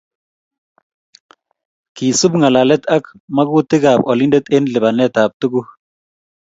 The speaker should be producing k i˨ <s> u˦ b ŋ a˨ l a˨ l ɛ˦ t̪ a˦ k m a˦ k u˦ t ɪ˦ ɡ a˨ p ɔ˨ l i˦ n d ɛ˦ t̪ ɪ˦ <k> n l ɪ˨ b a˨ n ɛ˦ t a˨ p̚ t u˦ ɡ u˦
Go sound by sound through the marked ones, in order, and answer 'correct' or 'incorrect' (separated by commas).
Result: correct, incorrect